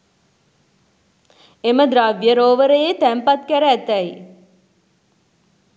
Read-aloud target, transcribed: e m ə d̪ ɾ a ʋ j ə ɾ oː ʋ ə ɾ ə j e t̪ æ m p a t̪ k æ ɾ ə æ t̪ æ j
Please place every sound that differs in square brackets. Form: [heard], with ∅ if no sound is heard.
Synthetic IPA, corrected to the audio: e m ə d̪ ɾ a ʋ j ə ɾ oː ʋ ə ɾ ə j e t̪ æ m p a t̪ k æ ɾ ə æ t̪ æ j